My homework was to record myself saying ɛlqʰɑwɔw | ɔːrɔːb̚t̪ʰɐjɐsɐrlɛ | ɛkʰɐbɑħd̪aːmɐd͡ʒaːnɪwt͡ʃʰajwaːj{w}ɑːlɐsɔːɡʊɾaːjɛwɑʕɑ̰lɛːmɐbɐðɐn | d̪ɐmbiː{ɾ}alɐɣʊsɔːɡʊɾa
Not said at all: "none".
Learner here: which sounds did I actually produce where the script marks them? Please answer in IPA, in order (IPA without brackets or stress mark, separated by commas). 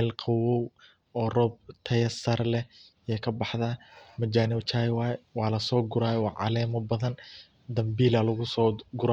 w, l